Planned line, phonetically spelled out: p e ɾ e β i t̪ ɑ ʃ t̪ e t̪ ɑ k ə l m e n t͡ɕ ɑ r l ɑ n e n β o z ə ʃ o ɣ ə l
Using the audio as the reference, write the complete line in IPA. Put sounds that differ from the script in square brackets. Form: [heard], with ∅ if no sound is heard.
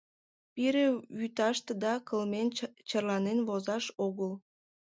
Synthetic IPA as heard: p [i] ɾ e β [y] t̪ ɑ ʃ t̪ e [d̪] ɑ k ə l m e n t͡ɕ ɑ r l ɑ n e n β o z [ɑ] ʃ o ɣ ə l

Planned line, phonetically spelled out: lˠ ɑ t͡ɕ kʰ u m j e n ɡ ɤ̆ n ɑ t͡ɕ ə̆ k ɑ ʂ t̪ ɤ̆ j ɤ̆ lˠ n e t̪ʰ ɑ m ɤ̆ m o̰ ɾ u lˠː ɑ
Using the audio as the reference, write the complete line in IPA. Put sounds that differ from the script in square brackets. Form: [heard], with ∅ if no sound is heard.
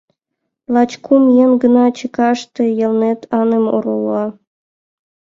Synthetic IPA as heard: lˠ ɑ t͡ɕ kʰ u m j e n ɡ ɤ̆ n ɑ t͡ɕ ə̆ k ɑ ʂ t̪ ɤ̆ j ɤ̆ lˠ n e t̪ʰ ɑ [n] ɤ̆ m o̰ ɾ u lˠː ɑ

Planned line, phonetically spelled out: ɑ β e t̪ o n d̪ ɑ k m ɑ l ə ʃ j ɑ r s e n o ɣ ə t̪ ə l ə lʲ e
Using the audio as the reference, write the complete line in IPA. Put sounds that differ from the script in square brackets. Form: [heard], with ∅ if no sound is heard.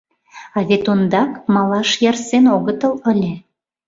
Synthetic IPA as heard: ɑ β e t̪ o n d̪ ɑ k m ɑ l [ɑ] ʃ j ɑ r s e n o ɣ ə t̪ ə l ə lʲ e

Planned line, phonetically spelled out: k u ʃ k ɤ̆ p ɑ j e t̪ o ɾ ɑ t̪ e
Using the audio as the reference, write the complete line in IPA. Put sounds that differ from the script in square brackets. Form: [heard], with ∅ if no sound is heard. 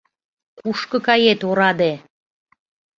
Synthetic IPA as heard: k u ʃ k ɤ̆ [k] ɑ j e t̪ o ɾ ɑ [d̪] e

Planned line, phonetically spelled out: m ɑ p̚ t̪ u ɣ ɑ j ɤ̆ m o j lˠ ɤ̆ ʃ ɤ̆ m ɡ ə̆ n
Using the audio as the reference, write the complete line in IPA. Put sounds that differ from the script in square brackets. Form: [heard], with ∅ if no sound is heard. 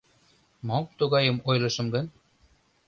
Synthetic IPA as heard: m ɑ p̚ t̪ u ɣ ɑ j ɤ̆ m o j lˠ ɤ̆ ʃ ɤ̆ m ɡ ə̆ n

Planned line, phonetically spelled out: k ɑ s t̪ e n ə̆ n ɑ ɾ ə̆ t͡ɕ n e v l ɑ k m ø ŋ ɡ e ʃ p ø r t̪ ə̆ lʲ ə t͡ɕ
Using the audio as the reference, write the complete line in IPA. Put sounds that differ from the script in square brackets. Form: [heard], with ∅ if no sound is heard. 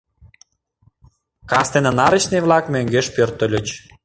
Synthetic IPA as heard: k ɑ s t̪ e n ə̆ n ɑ ɾ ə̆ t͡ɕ n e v l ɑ k m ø ŋ ɡ e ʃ p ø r t̪ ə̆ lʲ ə t͡ɕ

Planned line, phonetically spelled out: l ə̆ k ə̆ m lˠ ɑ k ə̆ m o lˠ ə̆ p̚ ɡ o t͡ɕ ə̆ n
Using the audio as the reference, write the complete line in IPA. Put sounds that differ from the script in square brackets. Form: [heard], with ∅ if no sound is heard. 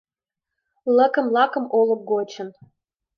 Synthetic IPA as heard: l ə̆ k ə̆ m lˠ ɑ k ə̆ m o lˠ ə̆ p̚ ɡ o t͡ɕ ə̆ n

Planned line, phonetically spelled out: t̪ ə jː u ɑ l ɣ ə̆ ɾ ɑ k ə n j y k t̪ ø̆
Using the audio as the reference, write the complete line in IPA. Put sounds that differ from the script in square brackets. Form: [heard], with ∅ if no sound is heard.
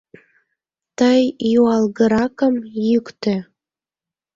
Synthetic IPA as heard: t̪ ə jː u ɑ l ɣ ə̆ ɾ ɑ k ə [m] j y k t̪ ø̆

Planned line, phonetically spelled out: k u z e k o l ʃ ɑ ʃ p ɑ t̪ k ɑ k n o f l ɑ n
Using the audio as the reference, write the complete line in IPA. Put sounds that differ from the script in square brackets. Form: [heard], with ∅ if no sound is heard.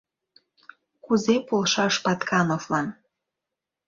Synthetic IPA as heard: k u z e [p] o l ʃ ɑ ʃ p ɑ t̪ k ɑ [∅] n o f l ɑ n

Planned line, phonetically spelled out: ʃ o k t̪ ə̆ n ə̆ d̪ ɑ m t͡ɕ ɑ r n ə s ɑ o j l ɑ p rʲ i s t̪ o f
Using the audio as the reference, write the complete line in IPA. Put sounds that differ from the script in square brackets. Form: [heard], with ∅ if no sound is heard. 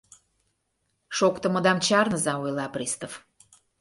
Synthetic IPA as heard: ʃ o k t̪ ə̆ [m] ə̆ d̪ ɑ m t͡ɕ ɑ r n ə [z] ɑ o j l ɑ p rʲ i s t̪ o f

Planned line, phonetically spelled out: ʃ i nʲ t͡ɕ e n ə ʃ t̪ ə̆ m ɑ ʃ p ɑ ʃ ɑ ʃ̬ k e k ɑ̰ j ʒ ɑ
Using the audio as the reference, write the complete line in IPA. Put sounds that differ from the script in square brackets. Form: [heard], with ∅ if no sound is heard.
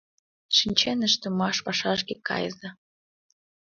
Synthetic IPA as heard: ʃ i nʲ t͡ɕ e n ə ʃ t̪ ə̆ m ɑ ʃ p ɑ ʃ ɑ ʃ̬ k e k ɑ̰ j [z] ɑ

